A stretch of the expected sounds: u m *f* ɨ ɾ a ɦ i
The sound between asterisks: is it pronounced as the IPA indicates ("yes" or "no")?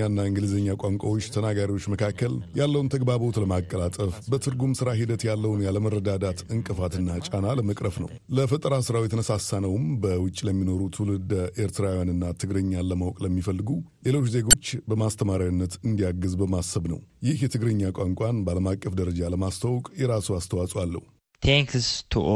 no